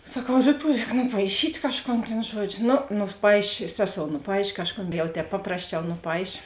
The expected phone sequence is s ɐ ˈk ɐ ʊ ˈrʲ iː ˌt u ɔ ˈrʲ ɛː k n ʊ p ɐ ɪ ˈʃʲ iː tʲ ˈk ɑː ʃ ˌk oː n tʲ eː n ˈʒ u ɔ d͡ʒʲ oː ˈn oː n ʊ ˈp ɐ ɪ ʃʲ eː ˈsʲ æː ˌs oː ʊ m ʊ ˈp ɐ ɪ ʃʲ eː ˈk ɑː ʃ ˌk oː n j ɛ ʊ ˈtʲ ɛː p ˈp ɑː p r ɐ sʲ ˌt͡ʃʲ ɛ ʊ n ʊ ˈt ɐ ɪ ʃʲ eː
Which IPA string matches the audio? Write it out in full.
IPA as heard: s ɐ ˈk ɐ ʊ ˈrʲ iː ˌt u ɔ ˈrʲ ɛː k n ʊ p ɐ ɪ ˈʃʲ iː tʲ ˈk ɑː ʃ ˌk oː n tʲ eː n ˈʒ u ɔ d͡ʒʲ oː ˈn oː n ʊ ˈp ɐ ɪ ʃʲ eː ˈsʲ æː ˌs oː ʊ n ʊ ˈp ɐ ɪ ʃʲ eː ˈk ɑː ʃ ˌk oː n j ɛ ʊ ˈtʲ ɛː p ˈp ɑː p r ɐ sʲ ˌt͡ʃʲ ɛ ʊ n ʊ ˈp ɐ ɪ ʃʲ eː